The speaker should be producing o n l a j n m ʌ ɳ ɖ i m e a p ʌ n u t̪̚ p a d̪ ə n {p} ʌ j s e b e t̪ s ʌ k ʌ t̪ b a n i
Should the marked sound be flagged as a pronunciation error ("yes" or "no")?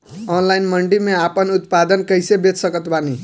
yes